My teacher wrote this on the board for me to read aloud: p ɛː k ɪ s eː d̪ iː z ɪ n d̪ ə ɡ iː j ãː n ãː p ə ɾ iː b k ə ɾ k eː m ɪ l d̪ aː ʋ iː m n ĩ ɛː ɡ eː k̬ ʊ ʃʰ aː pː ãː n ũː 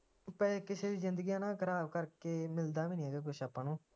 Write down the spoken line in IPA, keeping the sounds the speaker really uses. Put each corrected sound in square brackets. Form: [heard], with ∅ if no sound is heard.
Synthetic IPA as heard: p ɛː k ɪ s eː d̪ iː z ɪ n d̪ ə ɡ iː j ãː n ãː [k] ə ɾ [aː] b k ə ɾ k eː m ɪ l d̪ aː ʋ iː [∅] n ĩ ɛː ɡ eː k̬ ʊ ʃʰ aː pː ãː n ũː

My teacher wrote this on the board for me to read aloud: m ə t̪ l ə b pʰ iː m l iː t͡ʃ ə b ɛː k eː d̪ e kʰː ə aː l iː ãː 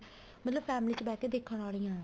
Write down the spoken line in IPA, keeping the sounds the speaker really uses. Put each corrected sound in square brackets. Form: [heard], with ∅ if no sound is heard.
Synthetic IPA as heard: m ə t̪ l ə b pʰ [ɛː] m l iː t͡ʃ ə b ɛː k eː d̪ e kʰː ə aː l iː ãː

